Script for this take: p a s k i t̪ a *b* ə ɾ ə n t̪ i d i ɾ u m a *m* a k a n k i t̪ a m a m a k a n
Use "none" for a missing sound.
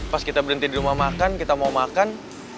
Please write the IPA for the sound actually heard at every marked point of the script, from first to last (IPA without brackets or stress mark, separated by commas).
b, m